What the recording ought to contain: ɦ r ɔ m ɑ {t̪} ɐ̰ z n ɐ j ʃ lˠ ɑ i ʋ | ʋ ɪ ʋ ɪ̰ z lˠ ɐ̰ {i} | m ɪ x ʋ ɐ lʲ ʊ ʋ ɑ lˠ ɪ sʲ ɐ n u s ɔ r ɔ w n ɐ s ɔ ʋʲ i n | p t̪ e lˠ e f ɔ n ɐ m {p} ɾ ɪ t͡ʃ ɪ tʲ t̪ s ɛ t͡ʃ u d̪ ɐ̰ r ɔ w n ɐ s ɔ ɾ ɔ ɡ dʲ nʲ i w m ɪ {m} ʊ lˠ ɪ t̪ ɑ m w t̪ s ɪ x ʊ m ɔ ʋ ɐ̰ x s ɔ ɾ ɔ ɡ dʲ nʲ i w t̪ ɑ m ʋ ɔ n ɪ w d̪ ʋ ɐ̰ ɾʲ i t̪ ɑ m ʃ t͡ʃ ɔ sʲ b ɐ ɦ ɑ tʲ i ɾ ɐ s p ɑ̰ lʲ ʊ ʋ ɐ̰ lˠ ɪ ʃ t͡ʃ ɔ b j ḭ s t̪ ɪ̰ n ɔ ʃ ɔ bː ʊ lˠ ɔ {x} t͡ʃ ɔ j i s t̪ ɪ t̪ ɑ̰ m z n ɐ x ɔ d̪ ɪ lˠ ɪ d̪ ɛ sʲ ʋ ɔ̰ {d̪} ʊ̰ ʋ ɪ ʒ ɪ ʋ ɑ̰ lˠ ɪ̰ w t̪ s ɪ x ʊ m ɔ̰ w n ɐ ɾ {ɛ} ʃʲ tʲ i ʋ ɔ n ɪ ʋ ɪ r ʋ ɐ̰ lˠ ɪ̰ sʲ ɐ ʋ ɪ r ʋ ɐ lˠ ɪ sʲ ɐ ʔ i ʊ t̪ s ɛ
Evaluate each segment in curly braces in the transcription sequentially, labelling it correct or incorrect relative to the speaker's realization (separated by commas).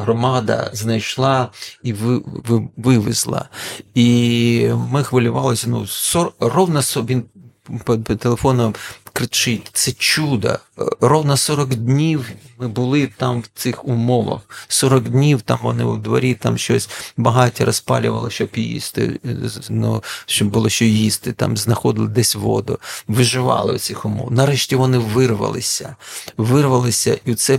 incorrect, correct, incorrect, incorrect, incorrect, correct, correct